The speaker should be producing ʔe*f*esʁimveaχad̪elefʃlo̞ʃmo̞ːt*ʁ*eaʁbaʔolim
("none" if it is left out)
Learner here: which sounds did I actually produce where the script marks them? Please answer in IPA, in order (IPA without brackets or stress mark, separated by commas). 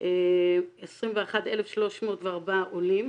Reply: none, v